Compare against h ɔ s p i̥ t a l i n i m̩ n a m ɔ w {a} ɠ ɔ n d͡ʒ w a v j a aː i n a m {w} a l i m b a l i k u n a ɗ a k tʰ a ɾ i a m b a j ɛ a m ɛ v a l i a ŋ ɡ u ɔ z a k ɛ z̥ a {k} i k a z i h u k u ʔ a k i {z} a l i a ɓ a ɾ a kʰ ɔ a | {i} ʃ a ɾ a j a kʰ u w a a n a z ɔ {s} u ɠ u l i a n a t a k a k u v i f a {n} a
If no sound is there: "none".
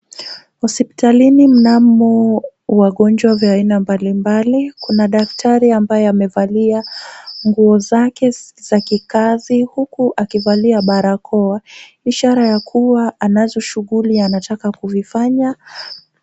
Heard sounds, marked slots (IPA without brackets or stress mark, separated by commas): a, b, k, v, i, ʃ, ɲ